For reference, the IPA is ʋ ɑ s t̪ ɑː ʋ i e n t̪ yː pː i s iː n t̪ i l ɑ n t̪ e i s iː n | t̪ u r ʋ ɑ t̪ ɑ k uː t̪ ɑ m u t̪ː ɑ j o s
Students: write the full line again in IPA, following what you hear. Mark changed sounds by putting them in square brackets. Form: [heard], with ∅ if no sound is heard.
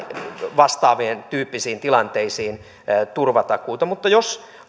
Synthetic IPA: ʋ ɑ s t̪ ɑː ʋ i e n t̪ yː pː i s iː n t̪ i l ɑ n t̪ e i s iː n | t̪ u r ʋ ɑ t̪ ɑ k uː t̪ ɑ m u t̪ː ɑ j o s